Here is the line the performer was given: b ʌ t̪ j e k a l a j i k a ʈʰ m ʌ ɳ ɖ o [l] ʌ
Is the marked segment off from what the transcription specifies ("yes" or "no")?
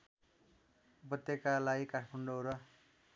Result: yes